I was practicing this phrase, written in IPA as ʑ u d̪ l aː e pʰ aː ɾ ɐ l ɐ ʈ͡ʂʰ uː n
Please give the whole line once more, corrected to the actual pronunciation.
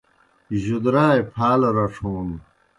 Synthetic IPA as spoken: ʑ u d̪ ɾ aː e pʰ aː l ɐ ɾ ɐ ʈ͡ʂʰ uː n

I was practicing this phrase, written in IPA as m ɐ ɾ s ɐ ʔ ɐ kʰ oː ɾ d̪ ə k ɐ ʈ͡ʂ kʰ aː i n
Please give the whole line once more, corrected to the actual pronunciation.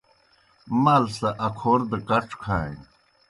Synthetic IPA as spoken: m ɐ l s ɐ ʔ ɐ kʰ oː ɾ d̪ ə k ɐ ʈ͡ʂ kʰ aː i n

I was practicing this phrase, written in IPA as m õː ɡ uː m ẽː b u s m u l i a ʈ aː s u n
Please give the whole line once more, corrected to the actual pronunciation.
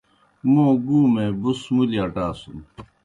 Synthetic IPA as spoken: m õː ɡ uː m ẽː b u s m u l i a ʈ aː s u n

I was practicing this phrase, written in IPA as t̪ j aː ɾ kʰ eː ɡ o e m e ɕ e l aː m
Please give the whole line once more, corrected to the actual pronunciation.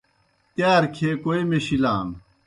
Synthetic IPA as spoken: t̪ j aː ɾ kʰ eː k o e m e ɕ i l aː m

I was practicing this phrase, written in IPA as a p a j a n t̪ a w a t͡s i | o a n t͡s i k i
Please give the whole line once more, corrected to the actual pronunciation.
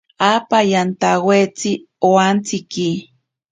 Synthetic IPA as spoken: a p a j a n t̪ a w e t͡s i | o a n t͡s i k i

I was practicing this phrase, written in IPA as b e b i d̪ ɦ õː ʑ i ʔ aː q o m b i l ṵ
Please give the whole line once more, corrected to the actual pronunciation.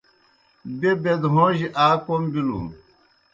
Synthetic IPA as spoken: b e b e d̪ ɦ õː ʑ i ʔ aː k o m b i l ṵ

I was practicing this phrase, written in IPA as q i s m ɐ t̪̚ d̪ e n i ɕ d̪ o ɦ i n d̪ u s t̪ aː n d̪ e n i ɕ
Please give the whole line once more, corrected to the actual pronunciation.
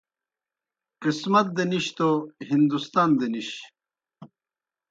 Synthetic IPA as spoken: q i s m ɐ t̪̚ d̪ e n i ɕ t̪ o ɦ i n d̪ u s t̪ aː n d̪ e n i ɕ

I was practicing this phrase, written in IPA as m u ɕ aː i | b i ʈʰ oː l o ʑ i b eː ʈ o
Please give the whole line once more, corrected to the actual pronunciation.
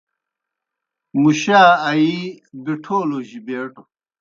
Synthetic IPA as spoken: m u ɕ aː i | b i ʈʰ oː l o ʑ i b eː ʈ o

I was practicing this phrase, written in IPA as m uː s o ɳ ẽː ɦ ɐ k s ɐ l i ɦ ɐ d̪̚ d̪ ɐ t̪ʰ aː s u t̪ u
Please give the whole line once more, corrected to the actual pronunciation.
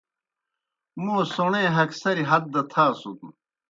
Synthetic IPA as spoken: m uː s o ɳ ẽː ɦ ɐ k s ɐ ɾ i ɦ ɐ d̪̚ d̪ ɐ t̪ʰ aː s u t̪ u

